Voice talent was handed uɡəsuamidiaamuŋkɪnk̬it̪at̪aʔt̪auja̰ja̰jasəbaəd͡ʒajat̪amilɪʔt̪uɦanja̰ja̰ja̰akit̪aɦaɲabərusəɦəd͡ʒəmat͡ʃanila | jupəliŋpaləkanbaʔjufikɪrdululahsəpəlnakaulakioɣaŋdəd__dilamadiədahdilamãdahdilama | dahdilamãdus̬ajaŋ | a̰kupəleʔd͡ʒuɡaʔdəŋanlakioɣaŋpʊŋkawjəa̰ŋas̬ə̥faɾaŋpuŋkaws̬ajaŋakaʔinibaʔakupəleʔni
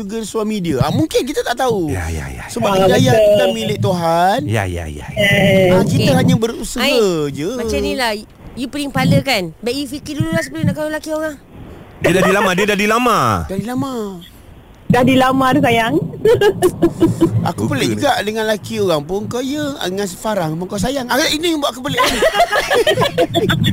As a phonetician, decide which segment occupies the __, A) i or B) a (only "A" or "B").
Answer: B